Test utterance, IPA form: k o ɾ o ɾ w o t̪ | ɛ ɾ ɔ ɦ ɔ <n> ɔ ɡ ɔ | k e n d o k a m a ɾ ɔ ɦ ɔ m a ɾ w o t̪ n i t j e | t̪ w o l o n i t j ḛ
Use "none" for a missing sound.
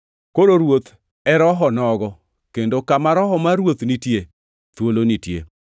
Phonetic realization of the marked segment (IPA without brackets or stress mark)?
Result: n